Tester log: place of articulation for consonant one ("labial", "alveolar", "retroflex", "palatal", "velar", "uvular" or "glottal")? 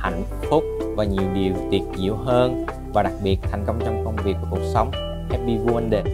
glottal